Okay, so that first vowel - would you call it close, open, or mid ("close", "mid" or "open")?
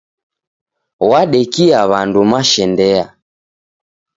open